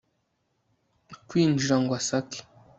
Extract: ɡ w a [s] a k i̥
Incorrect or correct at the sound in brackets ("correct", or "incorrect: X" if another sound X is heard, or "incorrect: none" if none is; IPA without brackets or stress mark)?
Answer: correct